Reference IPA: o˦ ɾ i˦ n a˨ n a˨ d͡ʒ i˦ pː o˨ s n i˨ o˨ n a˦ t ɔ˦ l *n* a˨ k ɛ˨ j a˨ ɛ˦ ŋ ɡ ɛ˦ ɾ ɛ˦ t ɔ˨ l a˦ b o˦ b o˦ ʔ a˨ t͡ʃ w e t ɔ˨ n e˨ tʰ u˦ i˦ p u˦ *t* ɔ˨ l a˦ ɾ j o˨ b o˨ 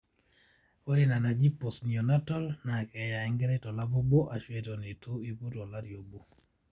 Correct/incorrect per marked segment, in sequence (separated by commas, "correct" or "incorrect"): correct, correct